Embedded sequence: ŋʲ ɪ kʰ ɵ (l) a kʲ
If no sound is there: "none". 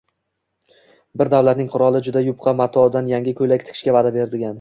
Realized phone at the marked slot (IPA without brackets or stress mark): l